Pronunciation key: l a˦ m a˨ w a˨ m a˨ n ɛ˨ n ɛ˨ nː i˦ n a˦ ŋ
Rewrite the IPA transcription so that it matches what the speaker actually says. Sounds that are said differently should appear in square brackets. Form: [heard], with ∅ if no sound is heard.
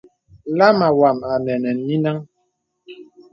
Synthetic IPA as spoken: l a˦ m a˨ w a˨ m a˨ n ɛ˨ n ɛ˨ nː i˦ n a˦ ŋ